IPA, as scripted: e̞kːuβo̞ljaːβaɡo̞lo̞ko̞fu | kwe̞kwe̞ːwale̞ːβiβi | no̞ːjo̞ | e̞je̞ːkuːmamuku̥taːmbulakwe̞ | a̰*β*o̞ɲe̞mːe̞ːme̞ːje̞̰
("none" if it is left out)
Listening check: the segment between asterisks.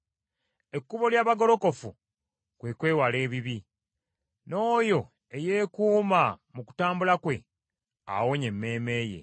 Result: w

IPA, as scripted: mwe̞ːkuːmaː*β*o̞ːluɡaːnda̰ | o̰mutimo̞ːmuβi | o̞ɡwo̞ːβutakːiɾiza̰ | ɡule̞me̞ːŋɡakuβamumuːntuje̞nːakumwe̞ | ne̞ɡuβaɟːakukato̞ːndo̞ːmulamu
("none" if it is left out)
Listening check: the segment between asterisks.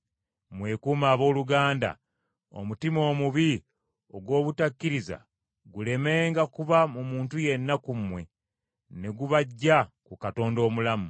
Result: β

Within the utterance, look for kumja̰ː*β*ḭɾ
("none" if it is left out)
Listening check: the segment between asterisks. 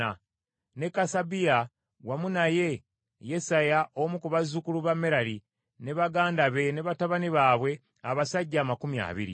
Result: β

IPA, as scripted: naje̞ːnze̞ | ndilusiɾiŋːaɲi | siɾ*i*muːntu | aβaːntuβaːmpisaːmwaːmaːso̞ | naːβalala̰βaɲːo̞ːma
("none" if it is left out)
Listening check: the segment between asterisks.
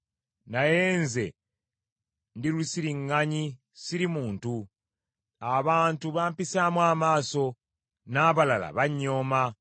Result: i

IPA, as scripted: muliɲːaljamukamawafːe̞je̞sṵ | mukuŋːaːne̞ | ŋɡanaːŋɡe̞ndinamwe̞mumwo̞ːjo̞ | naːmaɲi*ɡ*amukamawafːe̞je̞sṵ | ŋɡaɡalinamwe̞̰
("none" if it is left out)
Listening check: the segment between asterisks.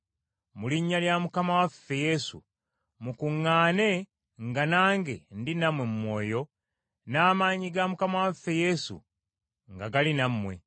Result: ɡ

